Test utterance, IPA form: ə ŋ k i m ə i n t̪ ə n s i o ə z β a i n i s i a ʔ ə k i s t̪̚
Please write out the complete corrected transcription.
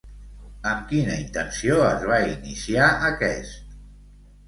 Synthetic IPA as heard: ə m k i n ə i n t̪ ə n s i o ə z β a i n i s i a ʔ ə k ɛ s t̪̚